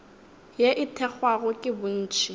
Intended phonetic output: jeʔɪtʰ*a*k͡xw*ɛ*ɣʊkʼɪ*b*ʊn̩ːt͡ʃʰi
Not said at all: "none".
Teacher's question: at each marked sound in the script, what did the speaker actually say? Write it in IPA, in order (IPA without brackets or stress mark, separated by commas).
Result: ɛ, a, b